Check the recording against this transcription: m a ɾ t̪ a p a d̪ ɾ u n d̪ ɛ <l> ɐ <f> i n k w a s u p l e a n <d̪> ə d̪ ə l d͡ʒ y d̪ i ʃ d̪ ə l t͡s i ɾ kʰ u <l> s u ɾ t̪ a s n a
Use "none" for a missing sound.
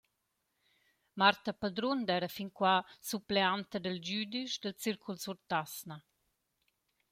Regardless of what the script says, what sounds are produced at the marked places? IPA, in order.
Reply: ɾ, f, t̪, l

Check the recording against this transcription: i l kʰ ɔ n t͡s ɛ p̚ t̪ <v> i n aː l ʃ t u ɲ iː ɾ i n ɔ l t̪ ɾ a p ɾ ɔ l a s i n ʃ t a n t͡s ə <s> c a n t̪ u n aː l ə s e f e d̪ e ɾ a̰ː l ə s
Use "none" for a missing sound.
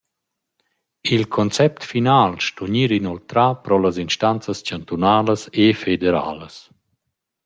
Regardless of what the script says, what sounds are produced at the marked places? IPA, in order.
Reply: f, s

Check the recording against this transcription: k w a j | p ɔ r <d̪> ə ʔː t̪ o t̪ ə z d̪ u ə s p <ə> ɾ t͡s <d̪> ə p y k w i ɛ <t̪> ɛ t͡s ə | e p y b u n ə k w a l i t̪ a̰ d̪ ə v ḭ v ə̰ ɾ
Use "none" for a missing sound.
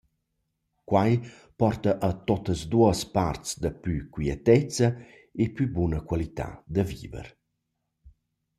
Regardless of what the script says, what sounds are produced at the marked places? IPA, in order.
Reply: t̪, a, d̪, t̪

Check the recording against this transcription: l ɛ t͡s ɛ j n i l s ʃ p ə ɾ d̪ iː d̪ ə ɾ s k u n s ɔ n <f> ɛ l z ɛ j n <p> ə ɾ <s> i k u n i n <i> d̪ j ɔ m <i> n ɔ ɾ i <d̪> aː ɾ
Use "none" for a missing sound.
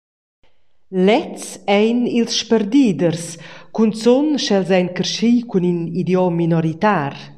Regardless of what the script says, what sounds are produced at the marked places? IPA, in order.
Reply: ʃ, k, ʃ, i, i, t̪

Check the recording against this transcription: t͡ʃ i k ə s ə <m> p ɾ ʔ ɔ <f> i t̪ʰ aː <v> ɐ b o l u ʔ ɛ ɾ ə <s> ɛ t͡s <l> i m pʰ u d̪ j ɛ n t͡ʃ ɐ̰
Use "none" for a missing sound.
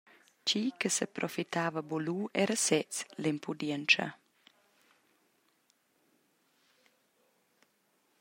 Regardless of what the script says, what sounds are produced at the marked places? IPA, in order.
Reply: none, f, v, s, l

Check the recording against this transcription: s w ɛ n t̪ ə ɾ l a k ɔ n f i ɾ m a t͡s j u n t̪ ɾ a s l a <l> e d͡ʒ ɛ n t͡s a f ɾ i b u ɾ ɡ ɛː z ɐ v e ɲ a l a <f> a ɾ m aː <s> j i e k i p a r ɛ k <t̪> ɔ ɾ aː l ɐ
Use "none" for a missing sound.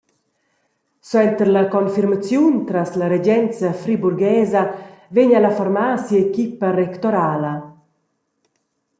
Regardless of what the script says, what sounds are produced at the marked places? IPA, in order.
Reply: ɾ, f, s, t̪

